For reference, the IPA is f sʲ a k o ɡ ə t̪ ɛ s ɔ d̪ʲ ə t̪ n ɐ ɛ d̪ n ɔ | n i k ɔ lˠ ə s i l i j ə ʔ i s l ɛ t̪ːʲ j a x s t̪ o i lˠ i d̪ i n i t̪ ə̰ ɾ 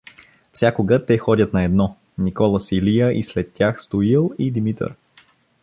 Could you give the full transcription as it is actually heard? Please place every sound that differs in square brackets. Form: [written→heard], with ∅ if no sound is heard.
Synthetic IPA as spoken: f sʲ a k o ɡ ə t̪ ɛ [s→x] ɔ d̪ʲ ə t̪ n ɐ ɛ d̪ n ɔ | n i k ɔ lˠ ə s i l i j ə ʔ i s l ɛ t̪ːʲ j a x s t̪ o i lˠ i d̪ i [n→m] i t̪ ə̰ ɾ